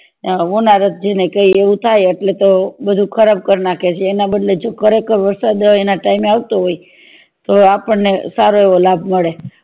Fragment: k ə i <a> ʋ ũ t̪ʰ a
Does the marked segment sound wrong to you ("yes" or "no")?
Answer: yes